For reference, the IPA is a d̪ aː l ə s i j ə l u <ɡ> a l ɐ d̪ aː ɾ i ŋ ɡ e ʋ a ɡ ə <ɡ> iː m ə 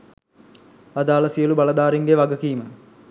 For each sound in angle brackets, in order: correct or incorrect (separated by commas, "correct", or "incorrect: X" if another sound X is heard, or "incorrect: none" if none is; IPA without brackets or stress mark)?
incorrect: b, incorrect: k